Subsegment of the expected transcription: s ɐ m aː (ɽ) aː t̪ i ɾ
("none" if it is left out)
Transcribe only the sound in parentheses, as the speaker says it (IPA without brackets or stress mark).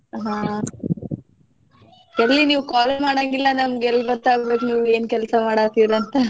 ɽ